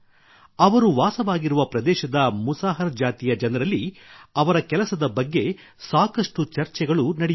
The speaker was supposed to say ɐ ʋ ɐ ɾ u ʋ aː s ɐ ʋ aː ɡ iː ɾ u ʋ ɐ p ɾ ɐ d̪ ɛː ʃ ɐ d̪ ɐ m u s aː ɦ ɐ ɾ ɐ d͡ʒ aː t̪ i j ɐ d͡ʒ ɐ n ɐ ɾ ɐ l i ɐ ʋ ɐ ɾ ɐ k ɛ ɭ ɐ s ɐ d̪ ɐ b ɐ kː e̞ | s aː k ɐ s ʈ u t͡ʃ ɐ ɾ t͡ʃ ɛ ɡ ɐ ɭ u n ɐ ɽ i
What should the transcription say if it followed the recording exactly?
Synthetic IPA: ɐ ʋ ɐ ɾ u ʋ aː s ɐ ʋ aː ɡ i ɾ u ʋ ɐ p ɾ ɐ d̪ ɛː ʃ ɐ d̪ ɐ m u s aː ɦ ɐ ɾ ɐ d͡ʒ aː t̪ i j ɐ d͡ʒ ɐ n ɐ ɾ ɐ lː i ɐ ʋ ɐ ɾ ɐ k ɛ l ɐ s ɐ d̪ ɐ b ɐ ɡː e̞ | s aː k ɐ ʂ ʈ u t͡ʃ ɐ ɾ t͡ʃ ɛ ɡ ɐ ɭ u n ɐ ɽ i

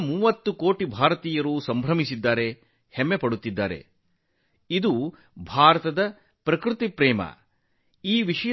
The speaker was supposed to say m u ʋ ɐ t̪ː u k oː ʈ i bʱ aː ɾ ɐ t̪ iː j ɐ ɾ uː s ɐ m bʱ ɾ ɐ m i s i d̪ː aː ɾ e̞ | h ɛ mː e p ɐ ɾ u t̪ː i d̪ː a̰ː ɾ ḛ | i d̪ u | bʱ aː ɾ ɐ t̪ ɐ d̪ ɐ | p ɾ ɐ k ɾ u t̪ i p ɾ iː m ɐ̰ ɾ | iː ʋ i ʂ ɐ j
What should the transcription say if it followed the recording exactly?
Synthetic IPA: m uː ʋ ɐ t̪ː u k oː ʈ i bʱ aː ɾ ɐ t̪ iː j ɐ ɾ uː s ɐ m bʱ ɾ ɐ m i s i d̪ː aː ɾ e̞ | h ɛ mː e p ɐ ɽ u t̪ː i d̪ː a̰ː ɾ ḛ | i d̪ u | bʱ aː ɾ ɐ t̪ ɐ d̪ ɐ | p ɾ ɐ k ɾ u t̪ i p ɾ ɛː m ɐ̰ | iː ʋ i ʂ ɐ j

